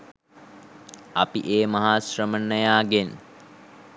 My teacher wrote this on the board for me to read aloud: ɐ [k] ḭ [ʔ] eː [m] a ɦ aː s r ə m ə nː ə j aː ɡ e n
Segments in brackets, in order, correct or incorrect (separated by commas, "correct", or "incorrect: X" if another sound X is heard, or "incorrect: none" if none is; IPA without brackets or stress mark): incorrect: p, correct, correct